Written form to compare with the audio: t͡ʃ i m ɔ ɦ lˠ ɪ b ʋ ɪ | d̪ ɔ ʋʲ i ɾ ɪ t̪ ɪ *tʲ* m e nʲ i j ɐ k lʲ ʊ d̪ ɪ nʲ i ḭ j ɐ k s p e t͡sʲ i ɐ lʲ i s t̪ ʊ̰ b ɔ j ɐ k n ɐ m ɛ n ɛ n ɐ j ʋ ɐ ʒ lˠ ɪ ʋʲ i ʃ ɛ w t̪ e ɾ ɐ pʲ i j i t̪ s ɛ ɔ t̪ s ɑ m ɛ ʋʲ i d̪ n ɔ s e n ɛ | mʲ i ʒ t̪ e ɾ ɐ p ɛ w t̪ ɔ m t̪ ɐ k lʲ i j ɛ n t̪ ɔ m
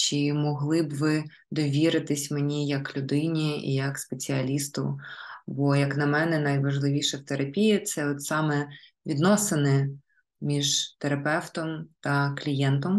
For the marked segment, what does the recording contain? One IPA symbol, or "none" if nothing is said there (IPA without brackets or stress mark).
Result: sʲ